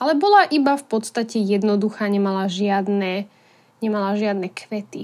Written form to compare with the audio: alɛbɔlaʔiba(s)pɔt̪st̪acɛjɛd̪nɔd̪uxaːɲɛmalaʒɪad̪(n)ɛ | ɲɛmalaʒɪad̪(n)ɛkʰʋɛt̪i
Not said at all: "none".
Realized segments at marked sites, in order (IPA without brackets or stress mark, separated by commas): f, n, n